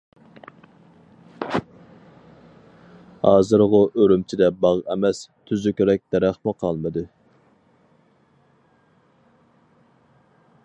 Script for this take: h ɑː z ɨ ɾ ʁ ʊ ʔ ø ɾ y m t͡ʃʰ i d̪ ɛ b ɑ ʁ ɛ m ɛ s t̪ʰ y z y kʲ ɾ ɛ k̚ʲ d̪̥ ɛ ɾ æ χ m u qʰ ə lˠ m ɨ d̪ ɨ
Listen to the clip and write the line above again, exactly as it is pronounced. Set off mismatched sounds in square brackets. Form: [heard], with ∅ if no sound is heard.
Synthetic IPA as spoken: h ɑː z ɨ ɾ ʁ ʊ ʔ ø ɾ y m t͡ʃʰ i d̪ ɛ b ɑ ʁ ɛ m ɛ s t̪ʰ y z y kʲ ɾ ɛ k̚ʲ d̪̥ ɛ ɾ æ χ m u qʰ [ɑ] lˠ m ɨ d̪ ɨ